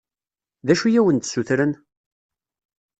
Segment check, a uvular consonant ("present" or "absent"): absent